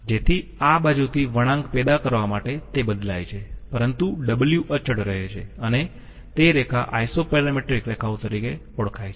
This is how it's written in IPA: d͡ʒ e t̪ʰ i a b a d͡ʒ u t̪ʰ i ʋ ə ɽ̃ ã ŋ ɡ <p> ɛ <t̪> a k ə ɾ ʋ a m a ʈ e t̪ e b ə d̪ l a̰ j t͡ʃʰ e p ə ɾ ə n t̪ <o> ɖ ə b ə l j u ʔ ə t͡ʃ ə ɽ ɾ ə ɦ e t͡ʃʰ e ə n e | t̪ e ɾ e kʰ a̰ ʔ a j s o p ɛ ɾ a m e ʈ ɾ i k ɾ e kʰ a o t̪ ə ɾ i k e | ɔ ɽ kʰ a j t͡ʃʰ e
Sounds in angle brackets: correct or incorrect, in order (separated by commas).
correct, incorrect, incorrect